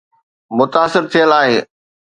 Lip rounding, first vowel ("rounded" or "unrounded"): rounded